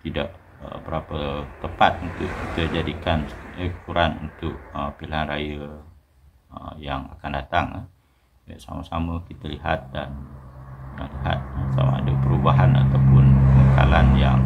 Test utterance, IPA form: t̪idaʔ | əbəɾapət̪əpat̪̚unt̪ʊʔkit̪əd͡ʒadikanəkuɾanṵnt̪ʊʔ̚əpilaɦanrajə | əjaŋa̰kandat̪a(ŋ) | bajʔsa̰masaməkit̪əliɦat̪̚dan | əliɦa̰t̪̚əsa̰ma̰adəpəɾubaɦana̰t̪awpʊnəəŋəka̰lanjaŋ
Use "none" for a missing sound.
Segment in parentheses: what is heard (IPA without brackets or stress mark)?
ŋ